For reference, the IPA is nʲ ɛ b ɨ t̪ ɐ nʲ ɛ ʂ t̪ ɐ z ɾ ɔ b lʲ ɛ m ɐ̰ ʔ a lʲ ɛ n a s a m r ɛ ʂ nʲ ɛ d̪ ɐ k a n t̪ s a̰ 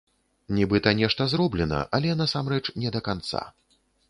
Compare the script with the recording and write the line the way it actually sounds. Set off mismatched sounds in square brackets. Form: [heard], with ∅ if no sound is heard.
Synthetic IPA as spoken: nʲ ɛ b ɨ t̪ ɐ nʲ ɛ ʂ t̪ ɐ z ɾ ɔ b lʲ ɛ [n] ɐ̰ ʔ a lʲ ɛ n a s a m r ɛ [t͡ʂ] nʲ ɛ d̪ ɐ k a n t̪ s a̰